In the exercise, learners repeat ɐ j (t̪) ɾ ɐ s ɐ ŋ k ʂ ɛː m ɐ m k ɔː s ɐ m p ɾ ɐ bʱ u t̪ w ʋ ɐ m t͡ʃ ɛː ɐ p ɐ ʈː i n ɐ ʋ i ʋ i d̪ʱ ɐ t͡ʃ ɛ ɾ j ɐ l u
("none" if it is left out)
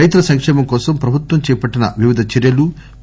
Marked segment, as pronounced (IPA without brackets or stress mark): t̪